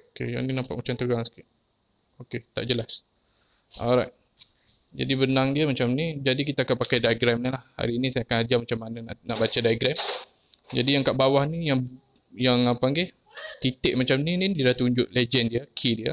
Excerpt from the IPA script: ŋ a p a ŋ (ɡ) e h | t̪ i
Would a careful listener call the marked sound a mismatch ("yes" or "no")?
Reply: no